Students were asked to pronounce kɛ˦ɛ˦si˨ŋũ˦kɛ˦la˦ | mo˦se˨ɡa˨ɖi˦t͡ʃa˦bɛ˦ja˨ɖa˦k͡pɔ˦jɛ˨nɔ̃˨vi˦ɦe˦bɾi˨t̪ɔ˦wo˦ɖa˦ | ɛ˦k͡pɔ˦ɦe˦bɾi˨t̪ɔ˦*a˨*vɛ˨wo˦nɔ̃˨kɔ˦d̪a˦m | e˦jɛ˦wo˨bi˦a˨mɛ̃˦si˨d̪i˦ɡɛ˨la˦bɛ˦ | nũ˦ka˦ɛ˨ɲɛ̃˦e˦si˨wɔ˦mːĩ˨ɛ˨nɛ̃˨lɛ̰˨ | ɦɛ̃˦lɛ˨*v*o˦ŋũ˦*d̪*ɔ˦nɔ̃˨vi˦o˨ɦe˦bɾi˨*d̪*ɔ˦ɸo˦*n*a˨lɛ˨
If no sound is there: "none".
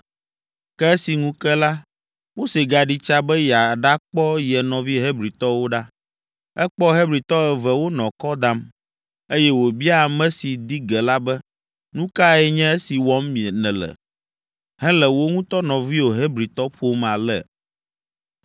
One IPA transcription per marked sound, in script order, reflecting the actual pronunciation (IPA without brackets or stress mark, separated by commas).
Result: ɛ˨, w, t̪, t̪, m